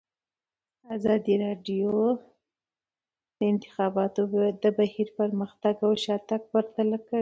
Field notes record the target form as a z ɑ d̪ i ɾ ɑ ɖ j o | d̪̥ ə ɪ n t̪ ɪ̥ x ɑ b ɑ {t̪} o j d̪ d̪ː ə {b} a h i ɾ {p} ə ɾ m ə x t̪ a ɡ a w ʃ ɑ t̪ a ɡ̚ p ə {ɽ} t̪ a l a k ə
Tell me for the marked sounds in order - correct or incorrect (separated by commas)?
correct, correct, correct, incorrect